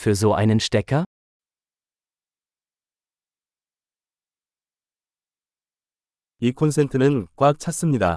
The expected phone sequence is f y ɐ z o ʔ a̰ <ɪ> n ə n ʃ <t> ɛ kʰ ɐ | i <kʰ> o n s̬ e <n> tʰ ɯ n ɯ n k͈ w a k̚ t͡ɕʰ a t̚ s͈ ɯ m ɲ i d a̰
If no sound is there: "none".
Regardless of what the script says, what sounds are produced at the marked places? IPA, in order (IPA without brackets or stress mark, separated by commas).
ɪ, t, kʰ, n